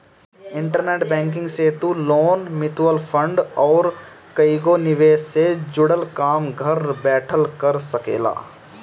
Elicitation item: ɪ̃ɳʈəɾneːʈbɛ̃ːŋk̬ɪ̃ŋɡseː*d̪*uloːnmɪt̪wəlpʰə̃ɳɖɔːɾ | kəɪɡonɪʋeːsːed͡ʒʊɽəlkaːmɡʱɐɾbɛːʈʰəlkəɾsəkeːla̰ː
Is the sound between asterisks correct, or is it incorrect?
incorrect